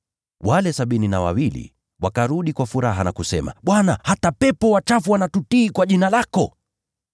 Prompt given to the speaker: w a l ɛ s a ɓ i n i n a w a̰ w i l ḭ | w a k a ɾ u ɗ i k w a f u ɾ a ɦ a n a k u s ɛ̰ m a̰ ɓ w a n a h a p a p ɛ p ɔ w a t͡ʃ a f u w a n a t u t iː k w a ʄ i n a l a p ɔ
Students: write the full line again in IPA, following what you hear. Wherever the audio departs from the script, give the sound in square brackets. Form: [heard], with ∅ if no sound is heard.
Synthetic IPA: w a l ɛ s a ɓ i n i n a w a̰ w i l ḭ | w a k a ɾ u ɗ i k w a f u ɾ a ɦ a n a k u s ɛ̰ m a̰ ɓ w a n a h a [t] a p ɛ p ɔ w a t͡ʃ a f u w a n a t u t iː k w a ʄ i n a l a [k] ɔ